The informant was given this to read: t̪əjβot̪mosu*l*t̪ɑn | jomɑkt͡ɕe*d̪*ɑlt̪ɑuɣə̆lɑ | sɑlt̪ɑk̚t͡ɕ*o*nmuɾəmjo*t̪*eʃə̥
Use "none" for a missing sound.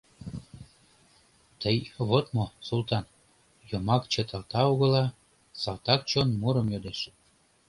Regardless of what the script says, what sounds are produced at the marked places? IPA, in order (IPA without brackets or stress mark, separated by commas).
l, t̪, o, d̪